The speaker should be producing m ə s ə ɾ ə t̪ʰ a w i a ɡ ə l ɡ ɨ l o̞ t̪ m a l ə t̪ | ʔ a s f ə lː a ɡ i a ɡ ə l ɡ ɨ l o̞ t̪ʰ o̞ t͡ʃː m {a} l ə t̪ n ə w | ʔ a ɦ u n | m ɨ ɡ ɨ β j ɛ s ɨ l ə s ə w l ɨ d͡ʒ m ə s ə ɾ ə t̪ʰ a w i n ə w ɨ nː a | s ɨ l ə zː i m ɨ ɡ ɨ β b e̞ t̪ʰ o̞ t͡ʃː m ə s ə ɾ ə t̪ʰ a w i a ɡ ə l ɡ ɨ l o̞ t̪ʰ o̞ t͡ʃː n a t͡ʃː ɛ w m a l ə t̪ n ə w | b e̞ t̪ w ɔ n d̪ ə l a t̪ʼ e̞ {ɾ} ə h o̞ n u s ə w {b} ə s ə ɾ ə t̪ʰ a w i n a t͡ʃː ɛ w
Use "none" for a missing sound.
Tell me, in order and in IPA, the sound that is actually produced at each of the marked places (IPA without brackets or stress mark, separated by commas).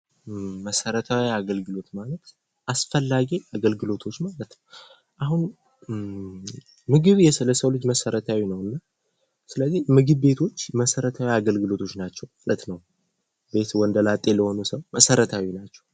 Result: a, l, m